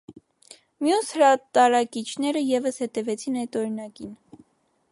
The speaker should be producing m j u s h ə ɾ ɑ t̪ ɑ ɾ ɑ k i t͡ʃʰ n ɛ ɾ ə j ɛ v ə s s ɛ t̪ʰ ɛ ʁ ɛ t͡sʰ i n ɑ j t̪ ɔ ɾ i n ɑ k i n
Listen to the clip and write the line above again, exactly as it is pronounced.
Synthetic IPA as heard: m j u s h ə ɾ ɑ t̪ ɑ ɾ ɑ k i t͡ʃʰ n ɛ ɾ ə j ɛ v ə s h ɛ t̪ ɛ v ɛ t͡sʰ i n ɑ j t̪ ɔ ɾ i n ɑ k i n